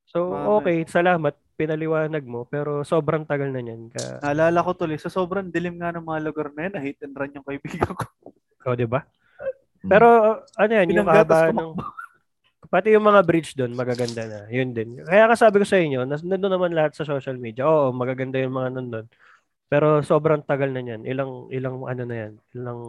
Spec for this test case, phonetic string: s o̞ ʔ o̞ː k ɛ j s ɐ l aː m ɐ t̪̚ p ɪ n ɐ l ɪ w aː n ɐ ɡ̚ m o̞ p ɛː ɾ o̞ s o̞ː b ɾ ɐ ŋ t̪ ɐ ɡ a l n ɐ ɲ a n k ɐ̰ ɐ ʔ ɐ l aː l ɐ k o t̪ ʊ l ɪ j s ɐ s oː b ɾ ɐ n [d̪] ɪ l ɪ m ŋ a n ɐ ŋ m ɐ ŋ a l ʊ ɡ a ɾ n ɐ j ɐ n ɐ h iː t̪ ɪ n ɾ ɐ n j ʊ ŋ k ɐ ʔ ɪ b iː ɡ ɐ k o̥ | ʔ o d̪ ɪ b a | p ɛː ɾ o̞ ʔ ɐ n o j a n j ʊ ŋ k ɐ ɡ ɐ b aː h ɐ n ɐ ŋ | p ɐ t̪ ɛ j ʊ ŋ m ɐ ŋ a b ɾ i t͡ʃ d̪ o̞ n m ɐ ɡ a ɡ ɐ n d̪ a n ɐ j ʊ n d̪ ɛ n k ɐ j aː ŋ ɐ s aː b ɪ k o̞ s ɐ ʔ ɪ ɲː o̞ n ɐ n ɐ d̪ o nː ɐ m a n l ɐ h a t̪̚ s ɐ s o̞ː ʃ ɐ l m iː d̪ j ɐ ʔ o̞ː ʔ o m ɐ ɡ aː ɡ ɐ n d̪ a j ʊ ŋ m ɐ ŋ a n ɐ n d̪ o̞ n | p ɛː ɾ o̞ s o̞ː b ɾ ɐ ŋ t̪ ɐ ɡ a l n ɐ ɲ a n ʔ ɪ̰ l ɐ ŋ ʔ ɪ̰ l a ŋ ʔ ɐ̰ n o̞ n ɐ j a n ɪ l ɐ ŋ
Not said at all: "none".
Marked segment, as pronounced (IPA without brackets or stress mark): d̪